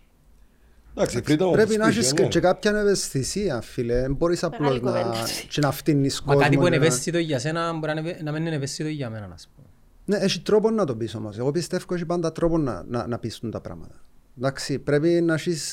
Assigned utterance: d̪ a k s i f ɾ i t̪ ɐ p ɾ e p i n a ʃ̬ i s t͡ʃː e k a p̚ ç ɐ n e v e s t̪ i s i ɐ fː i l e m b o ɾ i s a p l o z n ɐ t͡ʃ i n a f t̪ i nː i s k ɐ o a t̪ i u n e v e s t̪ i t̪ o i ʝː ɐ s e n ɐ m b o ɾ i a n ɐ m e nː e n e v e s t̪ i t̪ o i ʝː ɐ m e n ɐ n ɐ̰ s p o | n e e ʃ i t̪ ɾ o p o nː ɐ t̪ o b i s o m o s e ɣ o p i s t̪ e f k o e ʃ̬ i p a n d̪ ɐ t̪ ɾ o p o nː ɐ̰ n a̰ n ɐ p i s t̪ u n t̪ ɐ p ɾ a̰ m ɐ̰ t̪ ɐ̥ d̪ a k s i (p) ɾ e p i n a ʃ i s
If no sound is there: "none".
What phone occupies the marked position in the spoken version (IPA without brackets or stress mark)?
p